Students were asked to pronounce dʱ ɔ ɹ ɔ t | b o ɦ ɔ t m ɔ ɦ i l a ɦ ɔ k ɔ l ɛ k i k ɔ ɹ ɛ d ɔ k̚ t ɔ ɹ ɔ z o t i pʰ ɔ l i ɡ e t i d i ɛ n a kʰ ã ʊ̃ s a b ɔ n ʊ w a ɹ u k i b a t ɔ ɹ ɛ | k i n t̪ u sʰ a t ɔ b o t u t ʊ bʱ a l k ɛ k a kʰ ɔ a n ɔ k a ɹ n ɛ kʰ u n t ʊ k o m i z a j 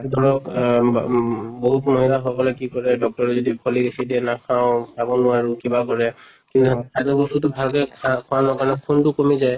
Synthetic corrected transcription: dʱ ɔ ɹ ɔ k | b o ɦ u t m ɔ ɦ i l a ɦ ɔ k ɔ l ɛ k i k ɔ ɹ ɛ d ɔ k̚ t ɔ ɹ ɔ z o d i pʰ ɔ l i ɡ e s i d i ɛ n a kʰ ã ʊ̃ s a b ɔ n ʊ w a ɹ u k i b a k ɔ ɹ ɛ | k i n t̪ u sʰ a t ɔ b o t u t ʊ bʱ a l k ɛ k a kʰ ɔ a n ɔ k a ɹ n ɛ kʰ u n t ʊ k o m i z a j